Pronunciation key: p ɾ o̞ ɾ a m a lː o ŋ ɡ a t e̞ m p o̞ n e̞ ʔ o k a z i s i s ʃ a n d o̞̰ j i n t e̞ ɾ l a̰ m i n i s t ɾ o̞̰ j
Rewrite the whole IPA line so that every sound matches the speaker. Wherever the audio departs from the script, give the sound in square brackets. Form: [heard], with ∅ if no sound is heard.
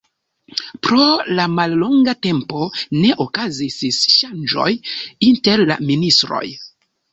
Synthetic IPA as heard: p ɾ o̞ [l] a m a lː o ŋ ɡ a t e̞ m p o̞ n e̞ ʔ o k a z i s i s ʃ a n [d͡ʒ] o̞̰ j i n t e̞ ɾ l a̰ m i n i s t ɾ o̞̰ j